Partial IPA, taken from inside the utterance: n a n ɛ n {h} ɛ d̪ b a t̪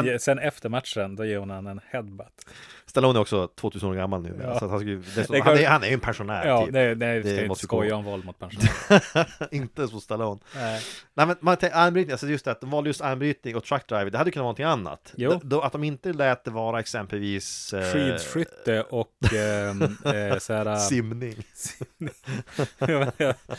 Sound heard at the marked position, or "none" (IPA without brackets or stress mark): h